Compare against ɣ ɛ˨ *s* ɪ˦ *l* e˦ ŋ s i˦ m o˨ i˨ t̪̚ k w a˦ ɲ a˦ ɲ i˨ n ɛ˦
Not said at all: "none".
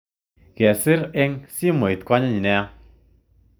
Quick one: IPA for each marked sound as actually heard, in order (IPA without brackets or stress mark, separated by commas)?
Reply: s, ɾ